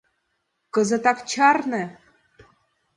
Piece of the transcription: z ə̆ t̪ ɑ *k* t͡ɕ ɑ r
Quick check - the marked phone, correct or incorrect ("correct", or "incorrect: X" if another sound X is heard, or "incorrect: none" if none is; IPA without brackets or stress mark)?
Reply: correct